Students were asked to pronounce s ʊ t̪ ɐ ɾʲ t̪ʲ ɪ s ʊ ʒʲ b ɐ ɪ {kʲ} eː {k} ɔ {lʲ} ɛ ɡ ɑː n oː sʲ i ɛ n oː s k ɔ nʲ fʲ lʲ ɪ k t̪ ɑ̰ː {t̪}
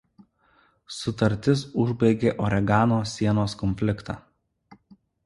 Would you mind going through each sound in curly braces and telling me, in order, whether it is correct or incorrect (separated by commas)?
incorrect, incorrect, incorrect, incorrect